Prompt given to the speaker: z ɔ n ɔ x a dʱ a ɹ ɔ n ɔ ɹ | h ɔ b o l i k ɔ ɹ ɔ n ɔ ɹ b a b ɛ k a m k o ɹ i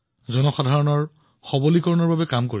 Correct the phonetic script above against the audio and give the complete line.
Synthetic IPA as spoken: z ɔ n ɔ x a dʱ a ɹ ɔ n ɔ ɹ | x ɔ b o l i k ɔ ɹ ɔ n ɔ ɹ b a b ɛ k a m k o ɹ i